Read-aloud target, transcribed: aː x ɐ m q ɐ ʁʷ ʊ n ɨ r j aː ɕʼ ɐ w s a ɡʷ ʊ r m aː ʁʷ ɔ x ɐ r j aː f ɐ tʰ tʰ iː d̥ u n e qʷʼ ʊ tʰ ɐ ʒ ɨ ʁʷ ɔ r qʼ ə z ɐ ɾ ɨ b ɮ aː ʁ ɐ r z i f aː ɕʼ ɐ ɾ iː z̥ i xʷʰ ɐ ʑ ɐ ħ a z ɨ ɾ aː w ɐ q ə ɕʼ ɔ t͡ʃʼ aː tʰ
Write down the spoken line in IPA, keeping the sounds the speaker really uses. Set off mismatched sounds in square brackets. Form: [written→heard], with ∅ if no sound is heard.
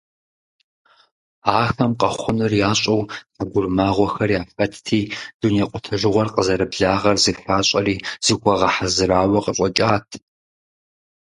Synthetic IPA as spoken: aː x ɐ m q ɐ [ʁʷ→χʷ] ʊ n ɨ r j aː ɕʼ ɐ w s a ɡʷ ʊ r m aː ʁʷ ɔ x ɐ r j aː f ɐ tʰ tʰ iː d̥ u n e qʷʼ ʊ tʰ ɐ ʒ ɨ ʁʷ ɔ r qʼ ə z ɐ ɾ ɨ b ɮ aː ʁ ɐ r z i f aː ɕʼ ɐ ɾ iː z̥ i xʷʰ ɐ [ʑ→ʁ] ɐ ħ a z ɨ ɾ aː w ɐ q ə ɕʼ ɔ t͡ʃʼ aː tʰ